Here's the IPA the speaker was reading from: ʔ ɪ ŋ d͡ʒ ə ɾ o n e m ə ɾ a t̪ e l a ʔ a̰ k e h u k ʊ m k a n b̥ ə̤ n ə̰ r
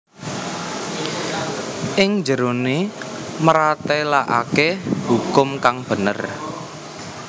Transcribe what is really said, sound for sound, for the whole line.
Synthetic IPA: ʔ ɪ ŋ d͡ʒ ə ɾ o n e m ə ɾ a t̪ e l a ʔ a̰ k e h u k ʊ m k a ŋ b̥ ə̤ n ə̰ r